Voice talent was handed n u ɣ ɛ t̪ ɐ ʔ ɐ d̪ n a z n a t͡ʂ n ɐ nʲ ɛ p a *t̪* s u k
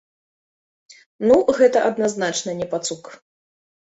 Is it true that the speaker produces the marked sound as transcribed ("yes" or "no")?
yes